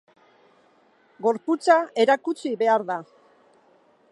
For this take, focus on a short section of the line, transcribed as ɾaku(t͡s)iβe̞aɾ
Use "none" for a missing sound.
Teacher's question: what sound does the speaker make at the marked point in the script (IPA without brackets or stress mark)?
t͡s